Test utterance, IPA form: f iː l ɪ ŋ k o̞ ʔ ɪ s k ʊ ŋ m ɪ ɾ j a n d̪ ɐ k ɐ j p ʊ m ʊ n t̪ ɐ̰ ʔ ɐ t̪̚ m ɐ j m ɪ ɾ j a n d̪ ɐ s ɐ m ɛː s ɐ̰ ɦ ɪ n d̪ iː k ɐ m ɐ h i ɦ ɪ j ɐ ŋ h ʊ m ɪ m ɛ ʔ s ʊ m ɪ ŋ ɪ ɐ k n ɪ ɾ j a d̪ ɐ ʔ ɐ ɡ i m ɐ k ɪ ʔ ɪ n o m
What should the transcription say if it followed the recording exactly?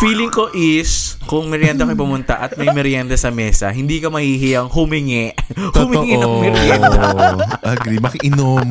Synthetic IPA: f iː l ɪ ŋ k o̞ ʔ ɪ s k ʊ ŋ m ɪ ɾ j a n d̪ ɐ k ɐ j p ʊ m ʊ n t̪ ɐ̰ ʔ ɐ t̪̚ m ɐ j m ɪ ɾ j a n d̪ ɐ s ɐ m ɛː s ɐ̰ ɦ ɪ n d̪ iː k ɐ m ɐ h i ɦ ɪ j ɐ ŋ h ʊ m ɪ ŋ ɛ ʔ h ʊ m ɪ ŋ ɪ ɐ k m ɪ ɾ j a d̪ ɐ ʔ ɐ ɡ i m ɐ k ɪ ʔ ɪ n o m